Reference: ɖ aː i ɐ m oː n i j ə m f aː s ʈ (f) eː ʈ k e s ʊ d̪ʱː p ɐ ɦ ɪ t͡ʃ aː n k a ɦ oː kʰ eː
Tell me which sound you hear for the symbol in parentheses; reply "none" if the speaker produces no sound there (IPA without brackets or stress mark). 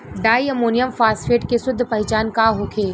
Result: f